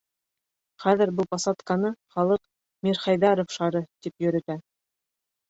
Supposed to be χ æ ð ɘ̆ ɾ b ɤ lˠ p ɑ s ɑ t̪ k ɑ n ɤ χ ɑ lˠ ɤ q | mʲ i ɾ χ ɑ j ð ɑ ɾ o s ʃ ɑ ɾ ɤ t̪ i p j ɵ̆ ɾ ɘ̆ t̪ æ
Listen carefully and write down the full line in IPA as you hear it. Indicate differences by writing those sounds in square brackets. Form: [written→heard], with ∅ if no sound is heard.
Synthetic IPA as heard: χ æ ð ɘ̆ ɾ b ɤ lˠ p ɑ s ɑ t̪ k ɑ n ɤ χ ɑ lˠ ɤ q | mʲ i ɾ χ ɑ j ð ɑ ɾ o [s→f] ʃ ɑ ɾ ɤ t̪ i p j ɵ̆ ɾ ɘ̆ t̪ æ